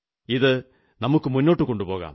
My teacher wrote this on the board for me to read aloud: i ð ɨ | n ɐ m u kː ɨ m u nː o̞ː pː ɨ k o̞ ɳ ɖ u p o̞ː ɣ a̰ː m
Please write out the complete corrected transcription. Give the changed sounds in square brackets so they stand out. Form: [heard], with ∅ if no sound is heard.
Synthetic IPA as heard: i ð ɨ | n ɐ m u kː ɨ m u nː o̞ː [ʈː] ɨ k o̞ ɳ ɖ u p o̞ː ɣ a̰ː m